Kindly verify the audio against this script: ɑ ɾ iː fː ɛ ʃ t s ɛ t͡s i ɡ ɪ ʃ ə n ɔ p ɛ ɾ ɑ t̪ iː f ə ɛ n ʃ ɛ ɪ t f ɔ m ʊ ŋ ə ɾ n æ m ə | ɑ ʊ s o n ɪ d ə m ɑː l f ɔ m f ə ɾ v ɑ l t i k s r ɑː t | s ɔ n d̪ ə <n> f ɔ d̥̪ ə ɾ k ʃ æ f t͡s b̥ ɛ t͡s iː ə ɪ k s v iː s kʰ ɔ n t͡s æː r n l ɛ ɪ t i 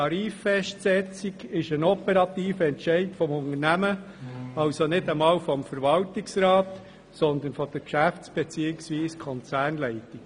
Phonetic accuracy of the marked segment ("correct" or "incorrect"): correct